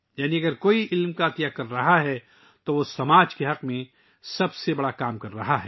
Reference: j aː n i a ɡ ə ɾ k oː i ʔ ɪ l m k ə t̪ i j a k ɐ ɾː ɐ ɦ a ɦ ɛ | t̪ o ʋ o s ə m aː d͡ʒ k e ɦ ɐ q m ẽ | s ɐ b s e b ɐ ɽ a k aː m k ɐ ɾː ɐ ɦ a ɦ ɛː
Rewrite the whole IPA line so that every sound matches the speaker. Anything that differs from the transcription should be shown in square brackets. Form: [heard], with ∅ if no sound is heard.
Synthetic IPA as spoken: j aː n i [ɐ] ɡ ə ɾ k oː i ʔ ɪ l m k [a] t̪ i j a k ɐ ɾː ɐ ɦ a ɦ ɛ | t̪ o ʋ o s [ɐ] m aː d͡ʒ k e ɦ ɐ q m ẽ | s ɐ b s e b ɐ ɽ a k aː m k ɐ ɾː ɐ ɦ a ɦ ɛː